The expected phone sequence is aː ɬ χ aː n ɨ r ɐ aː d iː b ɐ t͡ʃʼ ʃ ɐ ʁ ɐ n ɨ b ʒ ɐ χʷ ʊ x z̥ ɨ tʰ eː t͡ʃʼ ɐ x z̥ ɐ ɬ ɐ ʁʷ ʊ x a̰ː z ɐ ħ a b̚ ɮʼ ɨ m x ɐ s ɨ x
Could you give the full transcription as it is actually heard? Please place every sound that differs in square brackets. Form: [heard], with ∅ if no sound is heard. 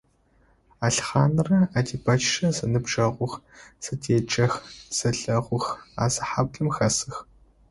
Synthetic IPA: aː ɬ χ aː n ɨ r ɐ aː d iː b ɐ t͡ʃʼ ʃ ɐ [z] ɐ n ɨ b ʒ ɐ [ʁʷ] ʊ x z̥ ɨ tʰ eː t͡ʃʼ ɐ x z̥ ɐ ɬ ɐ ʁʷ ʊ x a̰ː z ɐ ħ a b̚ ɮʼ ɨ m x ɐ s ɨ x